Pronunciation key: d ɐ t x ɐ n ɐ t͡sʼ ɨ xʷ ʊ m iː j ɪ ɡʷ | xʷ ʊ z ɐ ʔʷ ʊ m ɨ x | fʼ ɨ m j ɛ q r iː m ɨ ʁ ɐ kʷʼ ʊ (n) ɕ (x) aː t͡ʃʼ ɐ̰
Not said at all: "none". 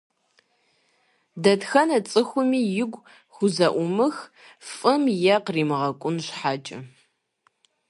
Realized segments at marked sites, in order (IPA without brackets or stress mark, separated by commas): n, ħ